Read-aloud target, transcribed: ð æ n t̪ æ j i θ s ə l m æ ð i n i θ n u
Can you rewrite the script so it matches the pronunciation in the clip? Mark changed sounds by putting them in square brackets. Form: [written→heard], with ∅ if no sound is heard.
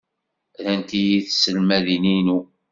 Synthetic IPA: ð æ n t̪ [æ→i] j i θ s ə l m æ ð i n i [θ→∅] n u